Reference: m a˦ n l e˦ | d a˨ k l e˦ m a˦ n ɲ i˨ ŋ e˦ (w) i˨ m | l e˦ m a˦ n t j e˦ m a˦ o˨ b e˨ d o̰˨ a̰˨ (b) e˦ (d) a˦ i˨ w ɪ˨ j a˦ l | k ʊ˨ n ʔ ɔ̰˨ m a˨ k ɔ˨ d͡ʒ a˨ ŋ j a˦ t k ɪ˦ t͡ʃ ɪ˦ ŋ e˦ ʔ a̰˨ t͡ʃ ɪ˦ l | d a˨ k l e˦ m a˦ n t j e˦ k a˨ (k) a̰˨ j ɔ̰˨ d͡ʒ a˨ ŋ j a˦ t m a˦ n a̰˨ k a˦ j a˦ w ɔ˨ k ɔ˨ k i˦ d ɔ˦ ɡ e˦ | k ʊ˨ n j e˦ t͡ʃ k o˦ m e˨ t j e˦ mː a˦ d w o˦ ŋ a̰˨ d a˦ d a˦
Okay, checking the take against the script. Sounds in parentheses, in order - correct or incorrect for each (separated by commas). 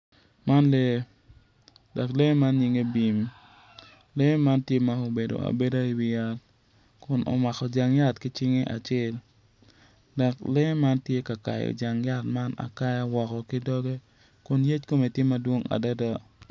incorrect, correct, correct, correct